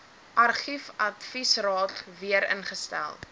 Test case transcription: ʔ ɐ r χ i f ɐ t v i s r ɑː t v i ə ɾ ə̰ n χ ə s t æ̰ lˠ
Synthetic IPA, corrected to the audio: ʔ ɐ r χ i f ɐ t f i s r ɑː t v i ə ɾ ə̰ n χ ə s t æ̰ lˠ